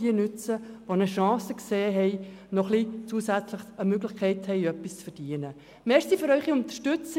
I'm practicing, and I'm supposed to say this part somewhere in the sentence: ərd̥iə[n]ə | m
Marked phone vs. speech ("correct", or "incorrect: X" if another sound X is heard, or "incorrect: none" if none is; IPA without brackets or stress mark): correct